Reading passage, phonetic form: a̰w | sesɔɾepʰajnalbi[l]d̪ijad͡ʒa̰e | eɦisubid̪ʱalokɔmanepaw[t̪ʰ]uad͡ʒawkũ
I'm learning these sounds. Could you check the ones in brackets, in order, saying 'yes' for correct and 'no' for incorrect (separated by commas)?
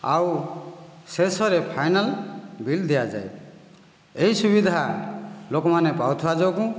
yes, yes